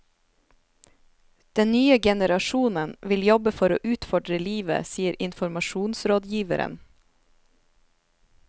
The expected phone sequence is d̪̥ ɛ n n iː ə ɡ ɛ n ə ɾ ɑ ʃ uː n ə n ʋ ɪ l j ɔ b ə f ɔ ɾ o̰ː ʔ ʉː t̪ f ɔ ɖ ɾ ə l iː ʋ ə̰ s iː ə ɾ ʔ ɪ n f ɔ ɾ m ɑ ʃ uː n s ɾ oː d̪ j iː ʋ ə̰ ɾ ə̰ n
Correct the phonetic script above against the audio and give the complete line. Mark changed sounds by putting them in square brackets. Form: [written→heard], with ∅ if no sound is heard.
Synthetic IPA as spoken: d̪̥ ɛ n n [iː→yː] ə ɡ ɛ n ə ɾ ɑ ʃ uː n ə n ʋ ɪ l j ɔ b ə f ɔ ɾ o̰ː ʔ ʉː t̪ f ɔ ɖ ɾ ə l iː ʋ ə̰ s iː ə ɾ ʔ ɪ n f ɔ ɾ m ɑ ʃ uː n s ɾ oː d̪ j iː ʋ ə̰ ɾ ə̰ n

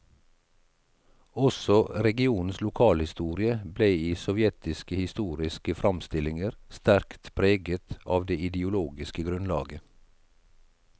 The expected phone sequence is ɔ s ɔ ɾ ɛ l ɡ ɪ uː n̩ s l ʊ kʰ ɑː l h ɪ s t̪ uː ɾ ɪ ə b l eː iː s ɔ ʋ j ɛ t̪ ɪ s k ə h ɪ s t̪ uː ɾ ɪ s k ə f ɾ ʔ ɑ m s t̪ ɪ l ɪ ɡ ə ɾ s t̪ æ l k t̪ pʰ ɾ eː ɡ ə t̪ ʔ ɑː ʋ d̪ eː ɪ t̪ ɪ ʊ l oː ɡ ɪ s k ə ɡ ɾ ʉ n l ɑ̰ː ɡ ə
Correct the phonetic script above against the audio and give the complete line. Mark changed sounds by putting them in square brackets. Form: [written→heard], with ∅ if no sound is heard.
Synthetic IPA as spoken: ɔ s ɔ ɾ ɛ [l→∅] ɡ ɪ uː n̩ s l ʊ kʰ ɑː l h ɪ s t̪ uː ɾ ɪ ə b l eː iː s ɔ ʋ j ɛ t̪ ɪ s k ə h ɪ s t̪ uː ɾ ɪ s k ə f ɾ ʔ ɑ m s t̪ ɪ l ɪ [ɡ→ŋ] ə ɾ s t̪ æ [l→ɾ] k t̪ pʰ ɾ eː ɡ ə t̪ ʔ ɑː ʋ d̪ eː ɪ [t̪→d̪] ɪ ʊ l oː ɡ ɪ s k ə ɡ ɾ ʉ n l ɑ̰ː ɡ ə

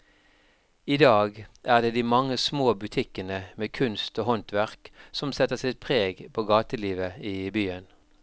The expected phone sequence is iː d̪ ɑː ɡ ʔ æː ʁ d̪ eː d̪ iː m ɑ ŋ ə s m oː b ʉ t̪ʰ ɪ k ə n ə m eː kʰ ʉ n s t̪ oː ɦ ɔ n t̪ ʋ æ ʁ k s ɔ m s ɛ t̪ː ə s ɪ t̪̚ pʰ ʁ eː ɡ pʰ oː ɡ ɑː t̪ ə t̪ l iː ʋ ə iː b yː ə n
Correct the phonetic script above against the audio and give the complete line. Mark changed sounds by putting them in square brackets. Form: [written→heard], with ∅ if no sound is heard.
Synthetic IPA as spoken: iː d̪ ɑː ɡ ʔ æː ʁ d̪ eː d̪ iː m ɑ ŋ ə s m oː b ʉ t̪ʰ ɪ k ə n ə m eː kʰ ʉ n s t̪ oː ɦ ɔ n t̪ ʋ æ ʁ k s ɔ m s ɛ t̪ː ə s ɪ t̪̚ pʰ ʁ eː ɡ pʰ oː ɡ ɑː t̪ ə [t̪→∅] l iː ʋ ə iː b yː ə n

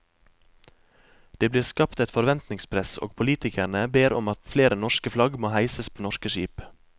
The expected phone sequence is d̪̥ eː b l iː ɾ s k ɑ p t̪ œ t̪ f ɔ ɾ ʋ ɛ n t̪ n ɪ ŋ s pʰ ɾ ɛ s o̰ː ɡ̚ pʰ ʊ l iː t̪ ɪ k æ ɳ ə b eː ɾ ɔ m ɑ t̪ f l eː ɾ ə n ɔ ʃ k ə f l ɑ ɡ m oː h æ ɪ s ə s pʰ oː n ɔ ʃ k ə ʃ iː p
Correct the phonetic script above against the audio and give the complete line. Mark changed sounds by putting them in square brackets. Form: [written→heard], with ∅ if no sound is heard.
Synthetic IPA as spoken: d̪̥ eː b l iː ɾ s k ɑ p t̪ [œ→ɛ] t̪ f ɔ ɾ ʋ ɛ n t̪ n ɪ ŋ s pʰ ɾ ɛ s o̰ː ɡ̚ pʰ ʊ l iː t̪ ɪ k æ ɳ ə b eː ɾ ɔ m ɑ t̪ f l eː ɾ ə n ɔ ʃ k ə f l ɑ ɡ m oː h æ ɪ s ə s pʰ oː n ɔ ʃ k ə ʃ iː p

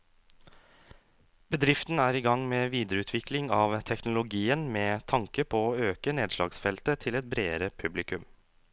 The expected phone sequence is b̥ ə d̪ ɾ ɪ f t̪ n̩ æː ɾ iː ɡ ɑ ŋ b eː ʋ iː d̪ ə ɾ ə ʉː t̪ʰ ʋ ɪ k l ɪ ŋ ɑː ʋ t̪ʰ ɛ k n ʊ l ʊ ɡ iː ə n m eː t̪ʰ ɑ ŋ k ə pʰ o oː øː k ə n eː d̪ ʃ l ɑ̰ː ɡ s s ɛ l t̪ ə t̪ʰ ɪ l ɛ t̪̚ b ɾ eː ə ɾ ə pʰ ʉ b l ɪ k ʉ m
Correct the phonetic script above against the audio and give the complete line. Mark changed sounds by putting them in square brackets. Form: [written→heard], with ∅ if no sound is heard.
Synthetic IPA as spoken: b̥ ə d̪ ɾ ɪ f t̪ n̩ æː ɾ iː ɡ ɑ ŋ [b→m] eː ʋ iː d̪ ə ɾ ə ʉː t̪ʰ ʋ ɪ k l ɪ ŋ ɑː ʋ t̪ʰ ɛ k n ʊ l ʊ ɡ iː ə n m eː t̪ʰ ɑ ŋ k ə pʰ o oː øː k ə n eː d̪ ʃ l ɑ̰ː ɡ s [s→f] ɛ l t̪ ə t̪ʰ ɪ l ɛ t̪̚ b ɾ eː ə ɾ ə pʰ ʉ b l ɪ k ʉ m

